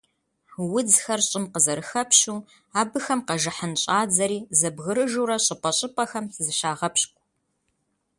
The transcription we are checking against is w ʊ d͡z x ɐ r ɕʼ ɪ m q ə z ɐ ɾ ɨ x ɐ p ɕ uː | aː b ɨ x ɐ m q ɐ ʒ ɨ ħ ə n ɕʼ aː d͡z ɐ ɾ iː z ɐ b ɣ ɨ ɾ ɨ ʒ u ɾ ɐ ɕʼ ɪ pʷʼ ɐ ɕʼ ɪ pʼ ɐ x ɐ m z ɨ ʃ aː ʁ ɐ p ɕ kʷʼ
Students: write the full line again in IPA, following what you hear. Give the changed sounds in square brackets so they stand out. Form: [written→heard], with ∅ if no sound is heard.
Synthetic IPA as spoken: w ʊ d͡z x ɐ r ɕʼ ɪ m q ə z ɐ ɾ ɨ x ɐ p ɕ uː | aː b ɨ x ɐ m q ɐ ʒ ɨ ħ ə n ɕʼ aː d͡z ɐ ɾ iː z ɐ b ɣ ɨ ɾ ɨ ʒ u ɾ ɐ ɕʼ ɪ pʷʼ ɐ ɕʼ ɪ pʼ ɐ x ɐ m z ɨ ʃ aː ʁ ɐ p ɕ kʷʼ